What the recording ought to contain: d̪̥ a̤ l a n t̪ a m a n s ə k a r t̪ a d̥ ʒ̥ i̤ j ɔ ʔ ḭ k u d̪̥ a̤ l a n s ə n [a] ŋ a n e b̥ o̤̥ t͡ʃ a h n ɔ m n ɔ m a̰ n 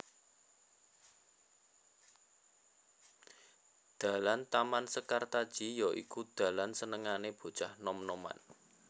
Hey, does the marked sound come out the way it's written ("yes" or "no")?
no